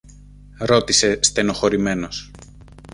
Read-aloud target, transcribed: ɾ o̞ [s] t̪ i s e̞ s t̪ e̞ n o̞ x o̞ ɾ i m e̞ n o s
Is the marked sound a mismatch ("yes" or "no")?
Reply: yes